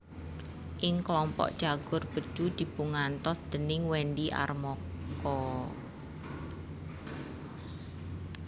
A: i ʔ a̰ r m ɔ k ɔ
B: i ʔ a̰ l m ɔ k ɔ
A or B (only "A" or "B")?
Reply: A